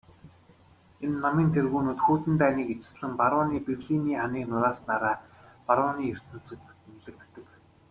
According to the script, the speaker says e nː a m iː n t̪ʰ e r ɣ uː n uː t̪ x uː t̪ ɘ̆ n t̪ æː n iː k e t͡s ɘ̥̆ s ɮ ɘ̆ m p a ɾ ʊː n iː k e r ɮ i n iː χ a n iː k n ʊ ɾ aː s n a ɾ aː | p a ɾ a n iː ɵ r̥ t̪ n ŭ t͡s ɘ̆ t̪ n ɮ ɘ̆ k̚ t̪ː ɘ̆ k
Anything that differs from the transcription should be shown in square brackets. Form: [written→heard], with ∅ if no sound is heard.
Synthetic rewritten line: e nː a m iː n t̪ʰ e r ɣ uː n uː t̪ x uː t̪ ɘ̆ n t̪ æː n iː k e t͡s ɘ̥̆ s ɮ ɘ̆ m p a ɾ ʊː n iː [k→p] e r ɮ i n iː χ a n iː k n ʊ ɾ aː s n a ɾ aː | p a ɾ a n iː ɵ r̥ t̪ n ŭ t͡s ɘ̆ t̪ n ɮ ɘ̆ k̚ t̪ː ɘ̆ k